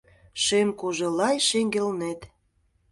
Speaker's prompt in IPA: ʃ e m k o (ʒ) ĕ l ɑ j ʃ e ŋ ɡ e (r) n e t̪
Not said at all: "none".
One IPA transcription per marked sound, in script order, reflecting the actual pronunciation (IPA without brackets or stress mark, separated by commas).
ʒ, l